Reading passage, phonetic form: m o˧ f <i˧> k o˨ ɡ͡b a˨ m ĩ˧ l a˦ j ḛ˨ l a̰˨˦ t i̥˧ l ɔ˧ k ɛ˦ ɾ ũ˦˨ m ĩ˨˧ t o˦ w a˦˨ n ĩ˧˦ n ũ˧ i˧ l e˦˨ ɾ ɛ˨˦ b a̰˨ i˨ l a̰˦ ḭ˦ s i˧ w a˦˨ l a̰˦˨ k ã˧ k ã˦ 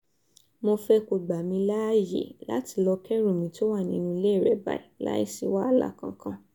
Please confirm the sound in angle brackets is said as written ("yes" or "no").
no